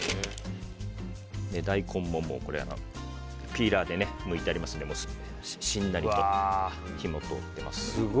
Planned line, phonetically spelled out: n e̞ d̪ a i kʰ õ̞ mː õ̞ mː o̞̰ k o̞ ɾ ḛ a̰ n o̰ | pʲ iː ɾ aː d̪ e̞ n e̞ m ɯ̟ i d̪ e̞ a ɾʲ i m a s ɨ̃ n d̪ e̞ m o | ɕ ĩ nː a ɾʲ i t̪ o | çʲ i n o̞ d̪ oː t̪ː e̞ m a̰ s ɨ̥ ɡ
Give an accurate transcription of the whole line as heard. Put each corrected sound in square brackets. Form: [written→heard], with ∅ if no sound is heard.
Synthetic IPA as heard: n e̞ d̪ a i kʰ õ̞ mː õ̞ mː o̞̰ k o̞ ɾ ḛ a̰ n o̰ | pʲ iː ɾ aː d̪ e̞ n e̞ m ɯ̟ i [d̪→t̪] e̞ a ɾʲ i m a s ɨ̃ n d̪ e̞ m o | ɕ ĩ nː a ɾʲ i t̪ o | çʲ i [n→m] o̞ [d̪→t̪] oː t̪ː e̞ m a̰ s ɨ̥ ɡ

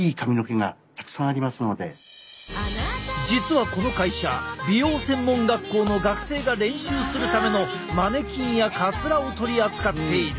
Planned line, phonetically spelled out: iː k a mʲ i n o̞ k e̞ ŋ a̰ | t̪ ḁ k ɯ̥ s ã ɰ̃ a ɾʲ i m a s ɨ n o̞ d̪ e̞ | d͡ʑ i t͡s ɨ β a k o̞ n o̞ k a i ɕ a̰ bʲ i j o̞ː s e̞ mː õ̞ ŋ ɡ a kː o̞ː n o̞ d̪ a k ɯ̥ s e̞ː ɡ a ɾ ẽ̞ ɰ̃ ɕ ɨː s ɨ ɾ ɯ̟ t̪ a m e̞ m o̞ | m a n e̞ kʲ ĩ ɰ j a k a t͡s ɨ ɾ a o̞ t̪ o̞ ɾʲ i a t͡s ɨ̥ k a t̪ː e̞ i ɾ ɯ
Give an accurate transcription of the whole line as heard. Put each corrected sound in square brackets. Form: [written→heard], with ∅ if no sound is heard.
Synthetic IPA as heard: iː k a mʲ i n o̞ k e̞ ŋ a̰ | t̪ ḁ k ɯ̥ s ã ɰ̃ a ɾʲ i m a s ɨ n o̞ d̪ e̞ | d͡ʑ i t͡s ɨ β a k o̞ n o̞ k a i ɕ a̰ bʲ i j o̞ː s [e̞→ẽ̞] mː õ̞ ŋ ɡ a kː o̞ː n o̞ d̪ a k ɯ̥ s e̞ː ɡ a ɾ ẽ̞ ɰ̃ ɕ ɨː s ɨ ɾ ɯ̟ t̪ a m e̞ [m→n] o̞ | m a n e̞ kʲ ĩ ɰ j a k a t͡s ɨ ɾ a o̞ t̪ o̞ ɾʲ i a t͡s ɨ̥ k a t̪ː e̞ i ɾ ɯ

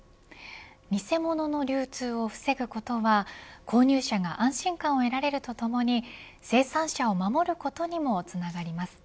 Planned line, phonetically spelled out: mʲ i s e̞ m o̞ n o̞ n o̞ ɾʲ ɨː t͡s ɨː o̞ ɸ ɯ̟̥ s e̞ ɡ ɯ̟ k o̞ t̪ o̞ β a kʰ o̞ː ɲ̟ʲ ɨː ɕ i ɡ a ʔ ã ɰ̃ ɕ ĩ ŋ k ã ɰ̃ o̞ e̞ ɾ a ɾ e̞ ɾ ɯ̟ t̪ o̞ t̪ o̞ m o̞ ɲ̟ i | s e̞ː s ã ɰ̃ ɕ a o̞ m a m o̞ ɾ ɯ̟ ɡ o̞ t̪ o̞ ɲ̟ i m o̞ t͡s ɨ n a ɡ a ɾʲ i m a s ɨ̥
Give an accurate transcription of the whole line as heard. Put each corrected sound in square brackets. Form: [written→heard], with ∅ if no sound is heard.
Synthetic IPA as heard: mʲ i s e̞ m o̞ n o̞ n o̞ ɾʲ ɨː t͡s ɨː o̞ ɸ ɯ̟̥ s e̞ ɡ ɯ̟ k o̞ t̪ o̞ β a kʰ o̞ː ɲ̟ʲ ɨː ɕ [i→a] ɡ a ʔ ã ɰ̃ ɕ ĩ ŋ k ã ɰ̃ o̞ e̞ ɾ a ɾ e̞ ɾ ɯ̟ t̪ o̞ t̪ o̞ m o̞ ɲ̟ i | s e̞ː s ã ɰ̃ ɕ a o̞ m a m o̞ ɾ ɯ̟ [ɡ→k] o̞ t̪ o̞ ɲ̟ i m o̞ t͡s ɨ n a ɡ a ɾʲ i m a s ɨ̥

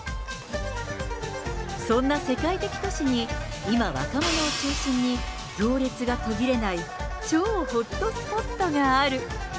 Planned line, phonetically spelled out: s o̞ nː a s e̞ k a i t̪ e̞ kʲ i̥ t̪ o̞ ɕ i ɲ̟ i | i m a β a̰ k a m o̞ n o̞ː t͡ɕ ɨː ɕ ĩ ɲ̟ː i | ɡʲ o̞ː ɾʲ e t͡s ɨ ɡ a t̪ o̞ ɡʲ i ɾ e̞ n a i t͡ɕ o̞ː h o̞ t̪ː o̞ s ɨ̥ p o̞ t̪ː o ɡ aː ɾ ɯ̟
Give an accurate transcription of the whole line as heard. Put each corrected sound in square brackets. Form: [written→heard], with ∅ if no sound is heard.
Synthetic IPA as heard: s [o̞→õ̞] nː a s e̞ k a i t̪ e̞ kʲ i̥ t̪ o̞ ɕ i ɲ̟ i | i m a β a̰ k a m o̞ n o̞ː t͡ɕ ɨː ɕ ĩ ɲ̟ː i | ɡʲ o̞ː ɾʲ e t͡s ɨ ɡ a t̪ o̞ ɡʲ i ɾ e̞ n a i t͡ɕ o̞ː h o̞ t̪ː o̞ s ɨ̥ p o̞ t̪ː o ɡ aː ɾ ɯ̟

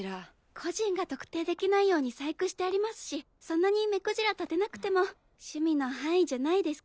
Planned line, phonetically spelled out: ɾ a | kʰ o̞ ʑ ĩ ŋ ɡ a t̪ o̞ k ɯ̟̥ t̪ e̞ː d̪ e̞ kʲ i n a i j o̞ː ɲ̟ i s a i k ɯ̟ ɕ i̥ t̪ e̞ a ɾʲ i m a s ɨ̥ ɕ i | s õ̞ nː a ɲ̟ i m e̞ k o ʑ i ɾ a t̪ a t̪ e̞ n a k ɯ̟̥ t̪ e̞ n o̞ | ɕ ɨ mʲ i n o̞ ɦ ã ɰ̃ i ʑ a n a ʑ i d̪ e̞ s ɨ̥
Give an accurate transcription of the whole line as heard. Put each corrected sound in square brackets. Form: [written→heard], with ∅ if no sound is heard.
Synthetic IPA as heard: ɾ a | kʰ o̞ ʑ ĩ ŋ ɡ a t̪ o̞ k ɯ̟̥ t̪ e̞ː d̪ e̞ kʲ i n a i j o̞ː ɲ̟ i s a i k ɯ̟ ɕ i̥ t̪ e̞ a ɾʲ i m a s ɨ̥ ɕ i | s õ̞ nː a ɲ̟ i m e̞ k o ʑ i ɾ a t̪ a t̪ e̞ n a k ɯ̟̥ t̪ e̞ [n→m] o̞ | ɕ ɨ mʲ i n o̞ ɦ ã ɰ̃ i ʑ a n a [ʑ→∅] i d̪ e̞ s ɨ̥

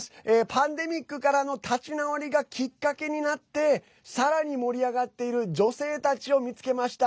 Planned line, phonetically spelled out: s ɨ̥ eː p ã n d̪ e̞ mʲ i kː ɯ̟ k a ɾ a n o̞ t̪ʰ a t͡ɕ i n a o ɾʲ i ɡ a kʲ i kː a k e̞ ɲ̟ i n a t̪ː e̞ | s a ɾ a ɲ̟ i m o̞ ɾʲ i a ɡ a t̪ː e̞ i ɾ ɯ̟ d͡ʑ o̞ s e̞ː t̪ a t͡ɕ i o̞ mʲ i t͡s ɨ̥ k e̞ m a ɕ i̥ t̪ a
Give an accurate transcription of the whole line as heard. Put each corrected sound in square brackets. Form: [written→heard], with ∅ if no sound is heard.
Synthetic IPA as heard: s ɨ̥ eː p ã n d̪ e̞ mʲ i kː ɯ̟ k a ɾ a n o̞ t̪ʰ a t͡ɕ i n a o ɾʲ i ɡ a kʲ i kː a k e̞ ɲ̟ i n a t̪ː e̞ | s a ɾ a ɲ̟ i m o̞ ɾʲ i a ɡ a t̪ː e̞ i ɾ ɯ̟ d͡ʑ o̞ s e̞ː t̪ a t͡ɕ i o̞ mʲ i t͡s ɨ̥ k e̞ m a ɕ i̥ t̪ a

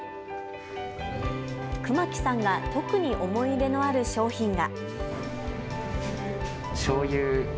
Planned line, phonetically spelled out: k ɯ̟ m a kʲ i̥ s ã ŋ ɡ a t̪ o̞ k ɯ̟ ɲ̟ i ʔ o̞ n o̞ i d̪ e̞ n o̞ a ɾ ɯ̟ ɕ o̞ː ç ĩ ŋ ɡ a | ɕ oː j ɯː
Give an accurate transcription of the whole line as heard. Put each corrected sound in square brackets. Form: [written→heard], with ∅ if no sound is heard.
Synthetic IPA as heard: k ɯ̟ m a kʲ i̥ s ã ŋ ɡ a t̪ o̞ k ɯ̟ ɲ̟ i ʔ o̞ [n→m] o̞ i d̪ e̞ n o̞ a ɾ ɯ̟ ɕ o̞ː ç ĩ ŋ ɡ a | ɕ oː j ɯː

